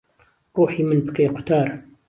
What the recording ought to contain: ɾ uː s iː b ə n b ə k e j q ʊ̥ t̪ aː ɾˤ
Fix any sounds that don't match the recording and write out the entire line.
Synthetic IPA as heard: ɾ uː ħ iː m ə n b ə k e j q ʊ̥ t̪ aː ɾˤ